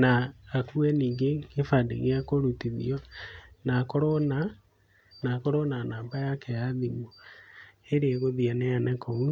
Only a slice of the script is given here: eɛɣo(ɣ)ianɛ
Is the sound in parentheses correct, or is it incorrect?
incorrect